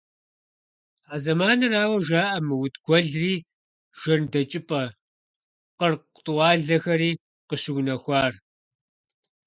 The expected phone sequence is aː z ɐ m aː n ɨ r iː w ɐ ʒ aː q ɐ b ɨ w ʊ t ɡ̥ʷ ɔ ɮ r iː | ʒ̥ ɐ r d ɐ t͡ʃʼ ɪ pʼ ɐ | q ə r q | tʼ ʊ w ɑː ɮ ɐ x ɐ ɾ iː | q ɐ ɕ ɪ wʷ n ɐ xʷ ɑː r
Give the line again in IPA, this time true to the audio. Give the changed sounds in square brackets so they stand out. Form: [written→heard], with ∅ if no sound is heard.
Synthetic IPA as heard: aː z ɐ m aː n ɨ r [iː→aː] w ɐ ʒ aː [q→ʔ] ɐ [b→m] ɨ w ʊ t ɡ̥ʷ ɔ ɮ r iː | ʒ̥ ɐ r d ɐ t͡ʃʼ ɪ pʼ ɐ | q ə r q | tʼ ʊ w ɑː ɮ ɐ x ɐ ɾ iː | q [ɐ→ə] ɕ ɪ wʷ n ɐ xʷ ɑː r